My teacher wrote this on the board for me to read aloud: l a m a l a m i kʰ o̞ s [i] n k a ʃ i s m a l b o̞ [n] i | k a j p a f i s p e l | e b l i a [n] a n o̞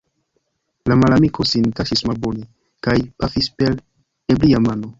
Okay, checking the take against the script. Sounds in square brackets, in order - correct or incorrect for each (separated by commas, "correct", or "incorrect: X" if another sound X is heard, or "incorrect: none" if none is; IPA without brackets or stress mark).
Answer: correct, correct, incorrect: m